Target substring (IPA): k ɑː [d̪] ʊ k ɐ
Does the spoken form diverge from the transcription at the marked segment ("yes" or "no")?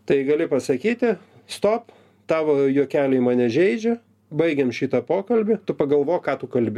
yes